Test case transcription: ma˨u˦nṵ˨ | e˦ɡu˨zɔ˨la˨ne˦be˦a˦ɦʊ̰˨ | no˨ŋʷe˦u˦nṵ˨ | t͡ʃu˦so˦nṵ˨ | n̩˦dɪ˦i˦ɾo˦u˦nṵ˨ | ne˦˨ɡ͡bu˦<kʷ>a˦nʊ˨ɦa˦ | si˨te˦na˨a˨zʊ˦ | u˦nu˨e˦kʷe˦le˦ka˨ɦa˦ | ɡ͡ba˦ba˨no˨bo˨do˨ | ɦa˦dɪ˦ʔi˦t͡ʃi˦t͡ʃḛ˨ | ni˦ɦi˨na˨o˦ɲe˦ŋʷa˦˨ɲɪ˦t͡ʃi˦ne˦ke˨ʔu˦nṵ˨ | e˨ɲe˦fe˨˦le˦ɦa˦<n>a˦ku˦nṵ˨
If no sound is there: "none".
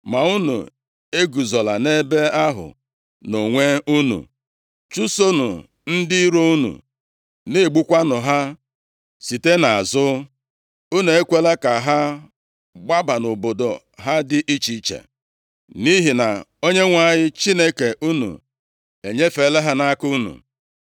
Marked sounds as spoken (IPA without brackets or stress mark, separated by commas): kʷ, n